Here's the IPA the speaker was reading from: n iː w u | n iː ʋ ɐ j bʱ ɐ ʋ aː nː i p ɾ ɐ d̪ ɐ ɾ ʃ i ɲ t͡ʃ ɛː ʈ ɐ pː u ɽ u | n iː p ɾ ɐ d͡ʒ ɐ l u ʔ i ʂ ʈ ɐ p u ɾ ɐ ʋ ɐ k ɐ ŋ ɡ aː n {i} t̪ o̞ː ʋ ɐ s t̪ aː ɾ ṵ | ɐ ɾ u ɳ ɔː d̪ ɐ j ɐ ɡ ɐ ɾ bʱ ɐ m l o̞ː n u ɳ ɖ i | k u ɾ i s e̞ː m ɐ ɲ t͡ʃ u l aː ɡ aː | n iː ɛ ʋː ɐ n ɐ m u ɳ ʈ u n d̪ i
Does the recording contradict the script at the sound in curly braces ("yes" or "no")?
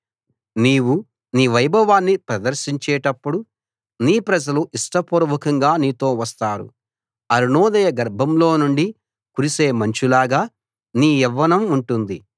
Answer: yes